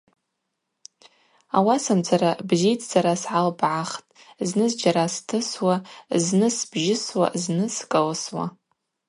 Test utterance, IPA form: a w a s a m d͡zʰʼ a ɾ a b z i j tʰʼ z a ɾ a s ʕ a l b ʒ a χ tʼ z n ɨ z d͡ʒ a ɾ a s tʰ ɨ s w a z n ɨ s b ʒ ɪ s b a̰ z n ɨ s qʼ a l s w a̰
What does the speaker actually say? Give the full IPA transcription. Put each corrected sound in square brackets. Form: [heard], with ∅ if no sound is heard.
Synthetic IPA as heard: a w a s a m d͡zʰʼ a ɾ a b z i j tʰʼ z a ɾ a s ʕ a l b [ʕ] a χ tʼ z n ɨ z d͡ʒ a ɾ a s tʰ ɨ s w a z n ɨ s b ʒ ɪ s [w] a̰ z n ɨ s [kʼ] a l s w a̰